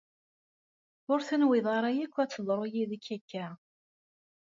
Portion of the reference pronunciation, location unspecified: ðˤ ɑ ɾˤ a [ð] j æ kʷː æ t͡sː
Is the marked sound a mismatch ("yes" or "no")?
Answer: yes